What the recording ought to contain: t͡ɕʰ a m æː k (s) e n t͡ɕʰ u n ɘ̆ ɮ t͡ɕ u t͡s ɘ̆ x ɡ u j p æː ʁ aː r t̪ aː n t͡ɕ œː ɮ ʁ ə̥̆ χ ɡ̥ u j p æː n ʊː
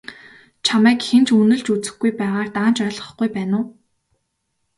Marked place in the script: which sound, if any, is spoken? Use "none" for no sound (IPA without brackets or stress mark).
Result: x